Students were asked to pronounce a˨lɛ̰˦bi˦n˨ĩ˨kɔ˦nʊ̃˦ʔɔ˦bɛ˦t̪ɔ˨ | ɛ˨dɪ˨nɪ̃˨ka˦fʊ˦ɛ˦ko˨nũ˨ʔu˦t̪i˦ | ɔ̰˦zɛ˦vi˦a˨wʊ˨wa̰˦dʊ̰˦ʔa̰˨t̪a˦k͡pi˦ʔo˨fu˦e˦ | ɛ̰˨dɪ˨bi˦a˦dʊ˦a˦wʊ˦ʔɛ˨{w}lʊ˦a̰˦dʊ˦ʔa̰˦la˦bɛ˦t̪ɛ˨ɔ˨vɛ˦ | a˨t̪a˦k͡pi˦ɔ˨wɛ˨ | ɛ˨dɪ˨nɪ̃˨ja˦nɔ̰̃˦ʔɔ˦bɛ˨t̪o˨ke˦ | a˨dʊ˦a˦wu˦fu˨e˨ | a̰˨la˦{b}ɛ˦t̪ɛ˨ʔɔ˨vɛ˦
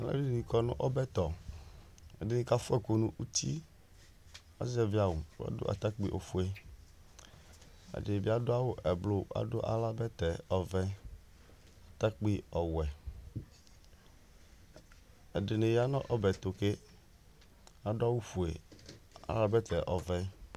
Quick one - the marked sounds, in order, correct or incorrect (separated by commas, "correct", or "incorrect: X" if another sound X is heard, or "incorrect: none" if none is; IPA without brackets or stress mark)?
incorrect: b, correct